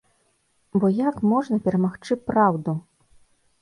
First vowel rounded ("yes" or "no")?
yes